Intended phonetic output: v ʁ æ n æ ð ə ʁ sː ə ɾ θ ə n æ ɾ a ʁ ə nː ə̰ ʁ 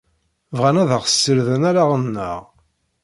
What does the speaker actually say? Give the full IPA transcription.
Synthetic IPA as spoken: v ʁ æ n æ ð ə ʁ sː ə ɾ ð ə n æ ɾ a ʁ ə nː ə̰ ʁ